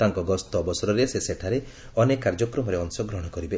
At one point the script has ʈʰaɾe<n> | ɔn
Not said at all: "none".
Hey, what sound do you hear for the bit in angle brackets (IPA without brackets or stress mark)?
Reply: none